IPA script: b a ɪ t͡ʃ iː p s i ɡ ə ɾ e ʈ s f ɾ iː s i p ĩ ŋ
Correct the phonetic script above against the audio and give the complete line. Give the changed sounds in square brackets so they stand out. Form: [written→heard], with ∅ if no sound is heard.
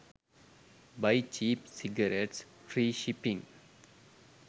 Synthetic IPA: b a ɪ t͡ʃ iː p s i ɡ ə ɾ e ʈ s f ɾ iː [s→ʃ] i p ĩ ŋ